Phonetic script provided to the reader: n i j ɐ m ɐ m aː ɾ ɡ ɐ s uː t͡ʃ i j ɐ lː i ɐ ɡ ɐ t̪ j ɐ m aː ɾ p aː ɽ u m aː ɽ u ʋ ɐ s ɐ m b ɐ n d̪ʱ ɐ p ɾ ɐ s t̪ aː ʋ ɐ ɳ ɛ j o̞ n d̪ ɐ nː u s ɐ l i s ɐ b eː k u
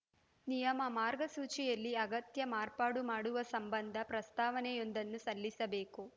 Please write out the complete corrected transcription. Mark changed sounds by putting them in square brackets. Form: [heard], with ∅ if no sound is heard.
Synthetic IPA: n i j ɐ m ɐ m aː ɾ ɡ ɐ s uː t͡ʃ i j ɐ lː i ɐ ɡ ɐ t̪ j ɐ m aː ɾ p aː ɽ u m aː ɽ u ʋ ɐ s ɐ m b ɐ n d̪ʱ ɐ p ɾ ɐ s t̪ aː ʋ ɐ [n] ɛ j o̞ n d̪ ɐ nː u s ɐ [lː] i s ɐ b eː k u

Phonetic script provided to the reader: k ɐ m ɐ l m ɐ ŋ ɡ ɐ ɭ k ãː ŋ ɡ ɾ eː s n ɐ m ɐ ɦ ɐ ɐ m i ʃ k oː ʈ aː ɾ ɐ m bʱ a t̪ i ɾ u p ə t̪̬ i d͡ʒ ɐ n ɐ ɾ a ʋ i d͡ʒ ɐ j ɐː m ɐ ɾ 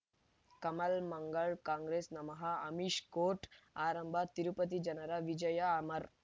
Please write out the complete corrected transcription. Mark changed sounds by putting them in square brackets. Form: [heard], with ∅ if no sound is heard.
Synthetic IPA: k ɐ m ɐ l m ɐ ŋ ɡ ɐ ɭ k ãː ŋ ɡ ɾ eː s n ɐ m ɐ ɦ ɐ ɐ m i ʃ k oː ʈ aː ɾ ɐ m bʱ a t̪ i ɾ u p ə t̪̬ i d͡ʒ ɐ n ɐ ɾ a ʋ i d͡ʒ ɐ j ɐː m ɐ ɾ

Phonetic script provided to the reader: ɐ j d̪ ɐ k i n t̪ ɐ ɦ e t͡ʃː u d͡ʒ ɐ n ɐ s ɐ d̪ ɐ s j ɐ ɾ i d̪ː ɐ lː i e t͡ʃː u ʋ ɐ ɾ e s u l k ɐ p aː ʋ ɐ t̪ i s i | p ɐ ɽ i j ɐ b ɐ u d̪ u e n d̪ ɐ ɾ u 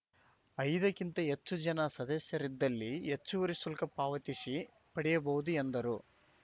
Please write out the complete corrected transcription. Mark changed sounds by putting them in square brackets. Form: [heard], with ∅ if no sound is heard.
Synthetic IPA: ɐ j d̪ ɐ k i n t̪ ɐ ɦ e t͡ʃː u d͡ʒ ɐ n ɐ s ɐ d̪ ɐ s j ɐ ɾ i d̪ː ɐ lː i e t͡ʃː u ʋ ɐ ɾ [i] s u l k ɐ p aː ʋ ɐ t̪ i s i | p ɐ ɽ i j ɐ b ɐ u d̪ u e n d̪ ɐ ɾ u

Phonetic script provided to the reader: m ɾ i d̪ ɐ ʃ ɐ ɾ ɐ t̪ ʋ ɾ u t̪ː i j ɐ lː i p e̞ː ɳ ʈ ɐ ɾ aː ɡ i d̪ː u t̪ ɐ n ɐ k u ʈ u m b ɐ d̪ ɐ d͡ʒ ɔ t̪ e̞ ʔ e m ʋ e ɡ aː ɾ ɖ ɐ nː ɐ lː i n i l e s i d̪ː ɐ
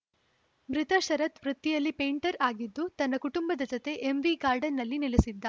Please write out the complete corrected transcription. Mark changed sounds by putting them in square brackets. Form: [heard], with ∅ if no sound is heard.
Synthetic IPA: m ɾ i [t̪] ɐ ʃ ɐ ɾ ɐ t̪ ʋ ɾ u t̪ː i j ɐ lː i p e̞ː ɳ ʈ ɐ ɾ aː ɡ i d̪ː u t̪ ɐ [nː] ɐ k u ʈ u m b ɐ d̪ ɐ d͡ʒ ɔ t̪ e̞ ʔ e m ʋ [i] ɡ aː ɾ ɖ ɐ nː ɐ lː i n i l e s i d̪ː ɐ

